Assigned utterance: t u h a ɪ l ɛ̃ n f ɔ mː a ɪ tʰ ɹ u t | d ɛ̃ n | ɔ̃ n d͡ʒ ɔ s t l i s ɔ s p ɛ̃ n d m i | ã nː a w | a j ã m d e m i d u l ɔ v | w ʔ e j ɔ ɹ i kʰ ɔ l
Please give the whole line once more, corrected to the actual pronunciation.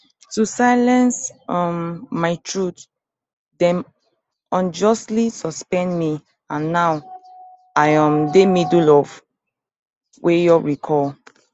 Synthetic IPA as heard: t u s a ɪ l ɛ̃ n s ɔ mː a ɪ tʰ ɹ u t | d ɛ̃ n | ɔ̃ n d͡ʒ ɔ s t l i s ɔ s p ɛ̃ n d m i | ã nː a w | a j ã m d e m i d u l ɔ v | w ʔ e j ɔ ɹ i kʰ ɔ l

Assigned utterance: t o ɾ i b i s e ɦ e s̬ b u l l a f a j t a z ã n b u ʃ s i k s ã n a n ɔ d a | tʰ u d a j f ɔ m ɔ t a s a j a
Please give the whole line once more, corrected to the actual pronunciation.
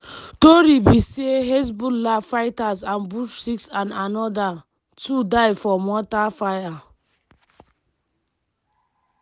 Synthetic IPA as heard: t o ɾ i b i s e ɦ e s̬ b u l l a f a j t a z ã n b u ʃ s i k s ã n a n ɔ d a | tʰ u d a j f ɔ m ɔ t a f a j a

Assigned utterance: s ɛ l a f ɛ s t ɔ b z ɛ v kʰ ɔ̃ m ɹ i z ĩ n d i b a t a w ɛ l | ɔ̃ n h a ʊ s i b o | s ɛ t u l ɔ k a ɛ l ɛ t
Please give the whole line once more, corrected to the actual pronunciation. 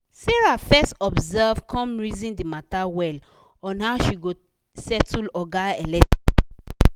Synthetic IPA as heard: s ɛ ɹ a f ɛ s t ɔ b z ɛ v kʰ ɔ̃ m ɹ i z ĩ n d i m a t a w ɛ l | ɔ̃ n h a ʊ ʃ i ɡ o | s ɛ t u l ɔ ɡ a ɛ l ɛ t

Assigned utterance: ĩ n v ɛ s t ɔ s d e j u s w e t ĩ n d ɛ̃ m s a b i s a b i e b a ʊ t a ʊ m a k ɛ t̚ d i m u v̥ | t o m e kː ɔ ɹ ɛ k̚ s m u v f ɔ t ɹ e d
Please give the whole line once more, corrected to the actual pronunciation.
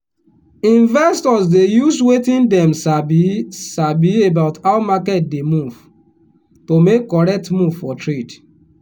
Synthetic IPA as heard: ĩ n v ɛ s t ɔ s d e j u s w e t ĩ n d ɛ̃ m s a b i s a b i e b a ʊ t a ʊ m a k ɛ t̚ d e m u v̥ | t o m e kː ɔ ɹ ɛ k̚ t m u v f ɔ t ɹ e d

